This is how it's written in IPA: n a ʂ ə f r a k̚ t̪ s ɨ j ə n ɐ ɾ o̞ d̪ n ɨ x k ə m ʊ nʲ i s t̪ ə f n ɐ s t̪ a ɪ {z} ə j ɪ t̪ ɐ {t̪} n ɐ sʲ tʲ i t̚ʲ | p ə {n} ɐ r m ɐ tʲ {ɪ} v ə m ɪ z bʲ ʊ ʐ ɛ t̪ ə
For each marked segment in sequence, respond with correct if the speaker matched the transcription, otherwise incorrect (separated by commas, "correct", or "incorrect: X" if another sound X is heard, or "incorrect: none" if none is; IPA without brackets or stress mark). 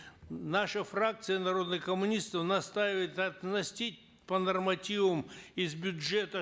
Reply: incorrect: v, correct, correct, incorrect: i